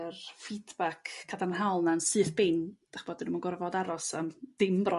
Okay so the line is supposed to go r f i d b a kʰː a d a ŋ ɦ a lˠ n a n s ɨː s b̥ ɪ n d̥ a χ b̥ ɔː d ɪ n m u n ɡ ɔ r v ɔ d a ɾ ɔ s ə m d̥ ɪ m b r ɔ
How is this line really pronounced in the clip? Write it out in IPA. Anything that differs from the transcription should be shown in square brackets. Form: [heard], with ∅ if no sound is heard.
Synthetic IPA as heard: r f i d b a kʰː a d a [n] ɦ a lˠ n a n s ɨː [θ] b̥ ɪ n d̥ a χ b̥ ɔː d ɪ n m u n ɡ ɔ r v ɔ d a ɾ ɔ s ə m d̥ ɪ m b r ɔ